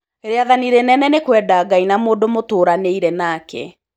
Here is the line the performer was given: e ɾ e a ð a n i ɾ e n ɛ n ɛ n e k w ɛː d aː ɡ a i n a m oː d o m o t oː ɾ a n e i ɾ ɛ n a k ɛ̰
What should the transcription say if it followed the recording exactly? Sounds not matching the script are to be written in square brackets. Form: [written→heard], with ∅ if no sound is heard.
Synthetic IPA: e ɾ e a ð a n i ɾ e n ɛ n ɛ n e k w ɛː d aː ɡ a i n a m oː d o m o t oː ɾ a n e i ɾ ɛ n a k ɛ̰